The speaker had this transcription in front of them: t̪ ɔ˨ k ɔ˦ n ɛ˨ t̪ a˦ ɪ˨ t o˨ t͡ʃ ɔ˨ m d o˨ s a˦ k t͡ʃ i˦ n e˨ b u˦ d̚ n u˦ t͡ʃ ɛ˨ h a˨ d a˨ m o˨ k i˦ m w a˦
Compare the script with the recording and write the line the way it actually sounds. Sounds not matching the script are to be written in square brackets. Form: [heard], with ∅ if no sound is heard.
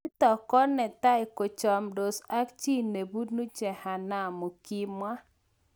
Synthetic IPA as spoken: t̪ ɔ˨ k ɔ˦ n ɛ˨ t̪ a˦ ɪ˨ [k] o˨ t͡ʃ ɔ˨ m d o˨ s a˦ k t͡ʃ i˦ n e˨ b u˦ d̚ n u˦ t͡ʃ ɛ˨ h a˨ [n] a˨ m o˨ k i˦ m w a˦